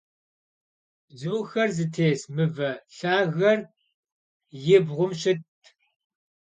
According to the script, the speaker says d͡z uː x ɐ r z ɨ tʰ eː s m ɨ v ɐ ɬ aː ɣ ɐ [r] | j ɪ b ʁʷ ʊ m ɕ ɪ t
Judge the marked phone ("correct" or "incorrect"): correct